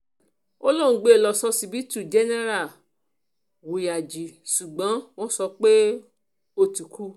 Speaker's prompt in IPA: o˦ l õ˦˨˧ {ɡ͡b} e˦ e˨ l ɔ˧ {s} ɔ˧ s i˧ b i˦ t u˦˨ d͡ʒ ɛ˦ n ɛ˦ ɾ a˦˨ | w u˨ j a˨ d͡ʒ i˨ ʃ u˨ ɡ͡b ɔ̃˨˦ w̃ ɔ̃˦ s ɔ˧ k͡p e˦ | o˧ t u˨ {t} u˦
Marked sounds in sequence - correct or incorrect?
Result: correct, correct, incorrect

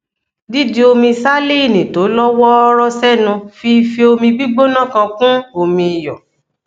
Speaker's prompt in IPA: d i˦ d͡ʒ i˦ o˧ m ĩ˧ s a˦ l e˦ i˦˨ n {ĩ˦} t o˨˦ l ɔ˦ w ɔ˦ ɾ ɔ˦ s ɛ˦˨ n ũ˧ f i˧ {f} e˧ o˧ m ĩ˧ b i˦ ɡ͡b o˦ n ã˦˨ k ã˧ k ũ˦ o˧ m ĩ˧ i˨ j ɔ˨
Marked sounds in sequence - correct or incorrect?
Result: incorrect, correct

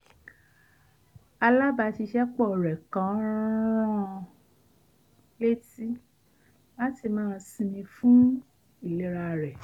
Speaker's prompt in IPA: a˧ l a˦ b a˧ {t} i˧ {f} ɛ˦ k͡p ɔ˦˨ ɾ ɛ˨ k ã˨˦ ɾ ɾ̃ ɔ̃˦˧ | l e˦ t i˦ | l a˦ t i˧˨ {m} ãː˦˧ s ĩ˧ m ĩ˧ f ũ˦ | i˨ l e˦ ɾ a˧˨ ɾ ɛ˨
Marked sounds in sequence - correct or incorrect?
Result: correct, incorrect, correct

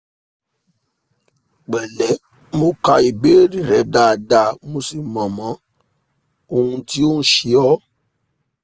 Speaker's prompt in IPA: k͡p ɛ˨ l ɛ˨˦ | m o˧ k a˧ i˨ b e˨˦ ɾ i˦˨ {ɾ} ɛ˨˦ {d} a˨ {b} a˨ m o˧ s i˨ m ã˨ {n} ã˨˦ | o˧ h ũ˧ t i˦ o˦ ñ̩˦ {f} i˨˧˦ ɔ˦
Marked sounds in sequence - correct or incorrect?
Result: correct, correct, incorrect, incorrect, incorrect

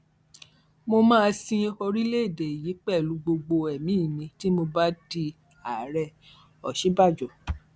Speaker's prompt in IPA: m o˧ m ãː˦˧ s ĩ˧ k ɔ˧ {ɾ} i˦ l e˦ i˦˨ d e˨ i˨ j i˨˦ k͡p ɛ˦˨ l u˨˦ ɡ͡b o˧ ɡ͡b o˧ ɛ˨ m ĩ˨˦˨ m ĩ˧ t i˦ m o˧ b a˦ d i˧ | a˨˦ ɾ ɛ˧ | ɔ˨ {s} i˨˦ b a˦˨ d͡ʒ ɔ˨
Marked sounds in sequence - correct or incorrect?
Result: correct, incorrect

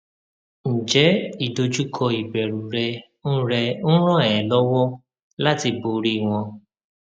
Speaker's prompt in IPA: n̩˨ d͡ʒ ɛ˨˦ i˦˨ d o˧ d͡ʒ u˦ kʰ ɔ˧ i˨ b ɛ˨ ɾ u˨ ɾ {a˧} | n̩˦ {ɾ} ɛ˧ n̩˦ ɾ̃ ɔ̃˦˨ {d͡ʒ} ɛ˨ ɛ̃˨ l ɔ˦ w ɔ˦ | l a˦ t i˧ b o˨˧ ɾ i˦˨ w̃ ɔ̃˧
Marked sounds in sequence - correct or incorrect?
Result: incorrect, correct, incorrect

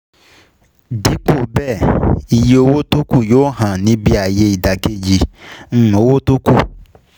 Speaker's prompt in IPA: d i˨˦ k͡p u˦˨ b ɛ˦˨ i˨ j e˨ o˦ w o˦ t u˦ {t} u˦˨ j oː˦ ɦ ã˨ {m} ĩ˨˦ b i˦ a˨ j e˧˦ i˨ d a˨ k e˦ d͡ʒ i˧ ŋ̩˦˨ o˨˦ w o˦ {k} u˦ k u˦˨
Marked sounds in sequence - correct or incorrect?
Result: incorrect, incorrect, incorrect

